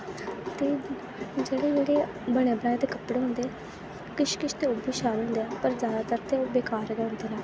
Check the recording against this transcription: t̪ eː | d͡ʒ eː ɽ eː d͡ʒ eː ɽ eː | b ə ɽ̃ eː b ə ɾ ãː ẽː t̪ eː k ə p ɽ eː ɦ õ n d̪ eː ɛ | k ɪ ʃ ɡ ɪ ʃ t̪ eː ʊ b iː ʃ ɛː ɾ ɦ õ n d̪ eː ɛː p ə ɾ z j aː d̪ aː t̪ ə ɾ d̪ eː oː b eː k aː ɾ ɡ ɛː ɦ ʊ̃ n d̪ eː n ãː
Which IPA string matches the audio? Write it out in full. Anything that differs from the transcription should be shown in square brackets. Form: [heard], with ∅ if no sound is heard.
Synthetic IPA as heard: t̪ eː | d͡ʒ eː ɽ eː d͡ʒ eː ɽ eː | b ə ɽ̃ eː b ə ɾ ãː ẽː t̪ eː k ə p ɽ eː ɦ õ n d̪ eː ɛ | k ɪ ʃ [k] ɪ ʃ t̪ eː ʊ b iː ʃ [aː] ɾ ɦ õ n d̪ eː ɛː p ə ɾ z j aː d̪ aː t̪ ə ɾ [t̪] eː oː b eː k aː ɾ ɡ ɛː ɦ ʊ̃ n d̪ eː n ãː

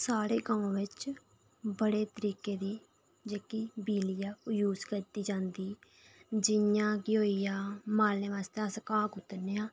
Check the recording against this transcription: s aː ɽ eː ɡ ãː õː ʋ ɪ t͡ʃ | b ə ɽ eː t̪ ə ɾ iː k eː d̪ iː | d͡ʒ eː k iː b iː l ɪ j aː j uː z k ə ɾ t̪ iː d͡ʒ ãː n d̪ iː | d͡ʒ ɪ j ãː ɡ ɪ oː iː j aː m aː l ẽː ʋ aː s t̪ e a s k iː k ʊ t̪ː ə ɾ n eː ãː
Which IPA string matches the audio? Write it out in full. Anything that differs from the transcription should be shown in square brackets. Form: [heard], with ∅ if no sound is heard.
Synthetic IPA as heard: s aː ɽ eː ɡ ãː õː ʋ ɪ t͡ʃ | b ə ɽ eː t̪ ə ɾ iː k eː d̪ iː | d͡ʒ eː k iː b iː l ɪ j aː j uː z k ə ɾ t̪ iː d͡ʒ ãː n d̪ iː | d͡ʒ ɪ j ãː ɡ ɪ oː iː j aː m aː l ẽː ʋ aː s t̪ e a s k [aː] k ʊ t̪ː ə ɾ n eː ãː

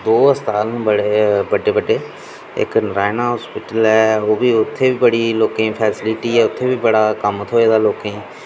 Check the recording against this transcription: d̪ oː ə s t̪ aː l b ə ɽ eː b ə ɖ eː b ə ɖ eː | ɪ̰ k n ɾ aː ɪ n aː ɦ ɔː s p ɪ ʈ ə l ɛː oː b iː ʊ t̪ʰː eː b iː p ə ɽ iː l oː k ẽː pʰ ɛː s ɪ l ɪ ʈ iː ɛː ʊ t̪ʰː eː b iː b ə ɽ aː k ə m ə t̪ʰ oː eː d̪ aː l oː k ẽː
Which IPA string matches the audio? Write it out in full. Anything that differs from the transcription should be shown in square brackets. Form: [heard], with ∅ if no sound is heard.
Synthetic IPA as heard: d̪ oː ə s t̪ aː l b ə ɽ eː b ə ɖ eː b ə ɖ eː | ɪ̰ k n ɾ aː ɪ n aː ɦ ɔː s p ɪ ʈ ə l ɛː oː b iː ʊ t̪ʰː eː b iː [b] ə ɽ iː l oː k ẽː pʰ ɛː s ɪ l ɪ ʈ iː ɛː ʊ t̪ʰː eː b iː b ə ɽ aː k ə m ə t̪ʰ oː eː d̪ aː l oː k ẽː

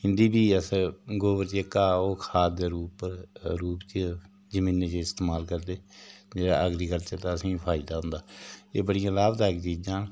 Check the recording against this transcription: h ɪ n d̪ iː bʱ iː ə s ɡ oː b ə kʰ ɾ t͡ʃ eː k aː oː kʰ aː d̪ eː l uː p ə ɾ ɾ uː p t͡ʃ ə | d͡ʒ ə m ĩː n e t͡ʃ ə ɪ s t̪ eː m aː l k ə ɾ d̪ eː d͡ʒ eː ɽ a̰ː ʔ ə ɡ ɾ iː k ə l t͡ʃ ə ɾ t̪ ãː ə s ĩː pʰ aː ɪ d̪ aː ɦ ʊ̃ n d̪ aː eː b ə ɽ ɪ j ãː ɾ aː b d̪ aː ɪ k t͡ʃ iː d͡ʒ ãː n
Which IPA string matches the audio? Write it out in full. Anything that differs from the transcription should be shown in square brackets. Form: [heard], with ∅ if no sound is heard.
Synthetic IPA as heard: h ɪ n d̪ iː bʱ iː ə s ɡ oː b ə [∅] ɾ t͡ʃ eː k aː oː kʰ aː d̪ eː [ɾ] uː p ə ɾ ɾ uː p t͡ʃ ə | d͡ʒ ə m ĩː n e t͡ʃ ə ɪ s t̪ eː m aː l k ə ɾ d̪ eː d͡ʒ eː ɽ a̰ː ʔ ə ɡ ɾ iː k ə l t͡ʃ ə ɾ t̪ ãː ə s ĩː pʰ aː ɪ d̪ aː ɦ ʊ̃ n d̪ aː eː b ə ɽ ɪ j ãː [l] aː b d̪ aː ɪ k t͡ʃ iː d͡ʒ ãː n

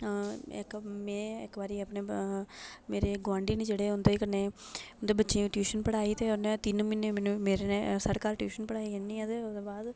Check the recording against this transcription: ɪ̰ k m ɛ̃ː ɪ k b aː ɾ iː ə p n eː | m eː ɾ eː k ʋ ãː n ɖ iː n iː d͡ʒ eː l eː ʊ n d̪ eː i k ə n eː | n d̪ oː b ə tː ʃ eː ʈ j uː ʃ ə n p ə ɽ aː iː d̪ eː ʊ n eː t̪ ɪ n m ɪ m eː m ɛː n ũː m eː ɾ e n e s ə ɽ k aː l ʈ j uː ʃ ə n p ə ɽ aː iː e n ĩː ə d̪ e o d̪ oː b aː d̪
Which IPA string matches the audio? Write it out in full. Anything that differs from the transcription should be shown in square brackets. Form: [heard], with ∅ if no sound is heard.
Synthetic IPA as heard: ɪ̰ k m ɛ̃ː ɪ k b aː ɾ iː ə p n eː | m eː ɾ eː [ɡ] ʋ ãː [ɳ] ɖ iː n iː d͡ʒ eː [ɽ] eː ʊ n d̪ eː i k ə n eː | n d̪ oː b ə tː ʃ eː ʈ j uː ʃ ə n p ə ɽ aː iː [t̪] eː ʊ n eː t̪ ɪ n m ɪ [n] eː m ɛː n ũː m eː ɾ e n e s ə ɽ k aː l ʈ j uː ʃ ə n p ə ɽ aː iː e n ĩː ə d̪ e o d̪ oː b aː d̪

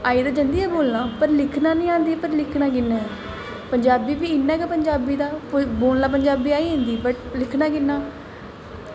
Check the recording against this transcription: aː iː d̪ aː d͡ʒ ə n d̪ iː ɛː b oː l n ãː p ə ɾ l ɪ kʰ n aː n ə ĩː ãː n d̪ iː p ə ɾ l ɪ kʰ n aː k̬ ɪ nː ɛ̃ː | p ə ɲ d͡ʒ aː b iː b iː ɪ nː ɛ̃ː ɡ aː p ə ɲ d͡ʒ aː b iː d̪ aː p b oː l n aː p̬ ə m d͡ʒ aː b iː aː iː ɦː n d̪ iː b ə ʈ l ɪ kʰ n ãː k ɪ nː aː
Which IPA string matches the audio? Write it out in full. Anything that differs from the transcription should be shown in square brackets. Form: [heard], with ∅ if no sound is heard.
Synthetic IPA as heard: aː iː d̪ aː d͡ʒ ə n d̪ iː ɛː b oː l n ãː p ə ɾ l ɪ kʰ n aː n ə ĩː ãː n d̪ iː p ə ɾ l ɪ kʰ n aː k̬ ɪ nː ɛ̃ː | p ə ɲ d͡ʒ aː b iː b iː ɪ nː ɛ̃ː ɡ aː p ə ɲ d͡ʒ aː b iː d̪ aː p b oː l n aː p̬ ə [ɲ] d͡ʒ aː b iː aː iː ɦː n d̪ iː b ə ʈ l ɪ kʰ n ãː k ɪ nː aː

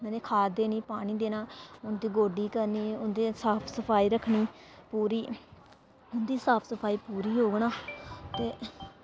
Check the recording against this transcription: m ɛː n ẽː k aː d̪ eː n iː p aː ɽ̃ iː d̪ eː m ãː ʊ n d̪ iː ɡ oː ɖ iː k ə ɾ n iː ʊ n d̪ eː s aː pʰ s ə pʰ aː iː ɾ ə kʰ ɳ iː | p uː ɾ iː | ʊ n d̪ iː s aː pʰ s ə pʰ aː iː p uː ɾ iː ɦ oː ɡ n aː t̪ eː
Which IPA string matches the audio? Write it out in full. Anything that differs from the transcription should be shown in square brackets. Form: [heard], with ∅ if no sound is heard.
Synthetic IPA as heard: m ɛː n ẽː [kʰ] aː d̪ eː n iː p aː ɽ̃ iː d̪ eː [n] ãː ʊ n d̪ iː ɡ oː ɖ iː k ə ɾ n iː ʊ n d̪ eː s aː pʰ s ə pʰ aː iː ɾ ə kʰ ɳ iː | p uː ɾ iː | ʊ n d̪ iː s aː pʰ s ə pʰ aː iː p uː ɾ iː ɦ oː ɡ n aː t̪ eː

